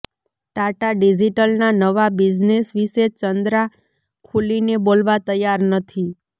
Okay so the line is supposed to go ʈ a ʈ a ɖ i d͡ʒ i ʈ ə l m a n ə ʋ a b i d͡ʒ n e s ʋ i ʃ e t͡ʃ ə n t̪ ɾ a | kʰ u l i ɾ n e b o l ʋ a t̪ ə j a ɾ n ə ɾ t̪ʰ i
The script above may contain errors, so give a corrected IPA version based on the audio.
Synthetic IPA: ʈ a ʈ a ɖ i d͡ʒ i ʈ ə l n a n ə ʋ a b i d͡ʒ n e s ʋ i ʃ e t͡ʃ ə n d̪ ɾ a | kʰ u l i n e b o l ʋ a t̪ ə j a ɾ n ə t̪ʰ i